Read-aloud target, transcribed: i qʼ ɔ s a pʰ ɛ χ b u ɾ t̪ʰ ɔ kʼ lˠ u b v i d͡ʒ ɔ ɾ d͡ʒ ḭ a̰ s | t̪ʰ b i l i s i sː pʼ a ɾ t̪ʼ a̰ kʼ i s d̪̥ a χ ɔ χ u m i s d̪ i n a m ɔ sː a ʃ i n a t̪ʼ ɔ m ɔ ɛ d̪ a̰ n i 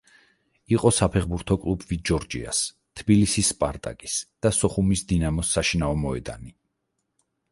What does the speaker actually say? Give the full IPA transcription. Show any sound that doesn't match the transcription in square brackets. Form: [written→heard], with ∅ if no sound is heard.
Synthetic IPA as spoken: i qʼ ɔ s a pʰ ɛ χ b u ɾ t̪ʰ ɔ kʼ lˠ u b v i d͡ʒ ɔ ɾ d͡ʒ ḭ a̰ s | t̪ʰ b i l i s i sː pʼ a ɾ t̪ʼ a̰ kʼ i s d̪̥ a [χ→s] ɔ χ u m i s d̪ i n a m ɔ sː a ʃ i n a [t̪ʼ→∅] ɔ m ɔ ɛ d̪ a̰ n i